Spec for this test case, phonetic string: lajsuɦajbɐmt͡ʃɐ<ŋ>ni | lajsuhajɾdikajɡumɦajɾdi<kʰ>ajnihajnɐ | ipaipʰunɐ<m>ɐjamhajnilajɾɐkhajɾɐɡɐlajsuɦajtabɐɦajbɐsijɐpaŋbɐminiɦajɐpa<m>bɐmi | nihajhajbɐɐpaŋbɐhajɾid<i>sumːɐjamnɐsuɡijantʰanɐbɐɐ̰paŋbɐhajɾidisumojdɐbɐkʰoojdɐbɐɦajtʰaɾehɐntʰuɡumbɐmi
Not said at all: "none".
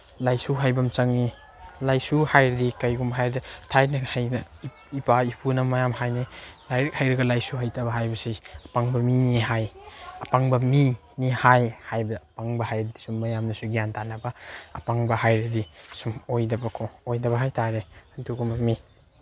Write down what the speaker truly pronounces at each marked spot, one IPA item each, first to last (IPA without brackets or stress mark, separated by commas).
ŋ, tʰ, m, ŋ, i